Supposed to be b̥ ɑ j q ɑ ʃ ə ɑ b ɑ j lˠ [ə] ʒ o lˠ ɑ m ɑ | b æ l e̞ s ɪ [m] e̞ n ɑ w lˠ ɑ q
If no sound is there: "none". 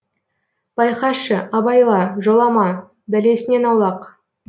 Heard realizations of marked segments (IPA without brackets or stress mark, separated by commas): ɑ, n